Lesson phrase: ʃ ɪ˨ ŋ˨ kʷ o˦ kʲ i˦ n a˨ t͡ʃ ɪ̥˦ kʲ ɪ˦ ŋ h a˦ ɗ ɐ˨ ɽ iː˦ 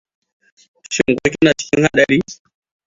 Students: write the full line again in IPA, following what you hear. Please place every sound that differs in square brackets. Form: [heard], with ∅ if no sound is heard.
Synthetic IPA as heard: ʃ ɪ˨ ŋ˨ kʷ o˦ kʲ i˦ n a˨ t͡ʃ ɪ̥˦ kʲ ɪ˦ ŋ h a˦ ɗ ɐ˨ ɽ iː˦